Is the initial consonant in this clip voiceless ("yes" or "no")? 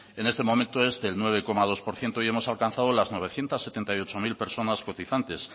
no